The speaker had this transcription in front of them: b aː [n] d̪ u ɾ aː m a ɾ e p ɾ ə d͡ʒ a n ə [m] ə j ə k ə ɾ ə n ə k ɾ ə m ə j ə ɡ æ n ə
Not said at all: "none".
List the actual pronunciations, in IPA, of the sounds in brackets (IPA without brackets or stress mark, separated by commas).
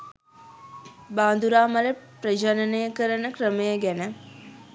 n, n